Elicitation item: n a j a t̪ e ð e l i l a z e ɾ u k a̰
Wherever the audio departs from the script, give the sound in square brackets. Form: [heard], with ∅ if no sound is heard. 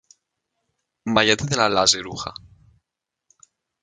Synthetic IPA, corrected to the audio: [m] a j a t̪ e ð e l [a] l a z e ɾ u [x] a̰